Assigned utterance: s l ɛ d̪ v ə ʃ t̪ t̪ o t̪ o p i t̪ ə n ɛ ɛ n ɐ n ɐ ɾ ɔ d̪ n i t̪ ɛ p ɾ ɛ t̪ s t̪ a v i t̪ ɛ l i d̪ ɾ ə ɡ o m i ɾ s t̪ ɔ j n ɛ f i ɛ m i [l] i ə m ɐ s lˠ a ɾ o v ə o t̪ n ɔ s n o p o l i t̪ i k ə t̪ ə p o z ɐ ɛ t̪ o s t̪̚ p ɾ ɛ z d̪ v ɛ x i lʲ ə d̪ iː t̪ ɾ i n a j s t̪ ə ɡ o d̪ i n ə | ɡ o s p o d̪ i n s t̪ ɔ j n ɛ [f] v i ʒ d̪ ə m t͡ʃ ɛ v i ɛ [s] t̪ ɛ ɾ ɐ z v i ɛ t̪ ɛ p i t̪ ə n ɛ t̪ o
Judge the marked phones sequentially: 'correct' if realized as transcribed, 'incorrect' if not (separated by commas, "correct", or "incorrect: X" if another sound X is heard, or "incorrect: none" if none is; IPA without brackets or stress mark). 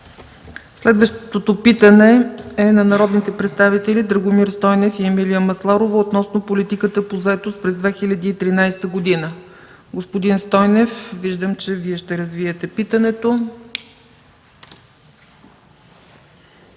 correct, correct, incorrect: ʃ